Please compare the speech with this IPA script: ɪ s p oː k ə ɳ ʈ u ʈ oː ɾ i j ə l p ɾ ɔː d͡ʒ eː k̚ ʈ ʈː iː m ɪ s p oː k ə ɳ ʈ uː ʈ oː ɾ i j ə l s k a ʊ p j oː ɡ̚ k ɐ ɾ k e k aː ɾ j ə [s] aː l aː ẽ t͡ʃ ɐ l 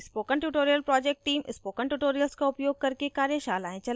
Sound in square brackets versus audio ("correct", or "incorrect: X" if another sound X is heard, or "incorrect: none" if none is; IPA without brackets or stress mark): incorrect: ʃ